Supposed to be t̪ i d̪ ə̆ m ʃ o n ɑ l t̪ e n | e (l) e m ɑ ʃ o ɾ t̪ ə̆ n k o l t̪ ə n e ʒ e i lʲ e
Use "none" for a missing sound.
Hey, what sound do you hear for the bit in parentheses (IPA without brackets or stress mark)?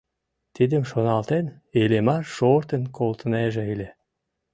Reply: l